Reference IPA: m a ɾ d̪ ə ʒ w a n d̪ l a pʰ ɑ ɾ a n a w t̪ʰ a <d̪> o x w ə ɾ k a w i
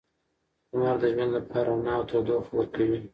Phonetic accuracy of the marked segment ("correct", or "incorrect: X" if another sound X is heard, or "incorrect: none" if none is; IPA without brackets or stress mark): correct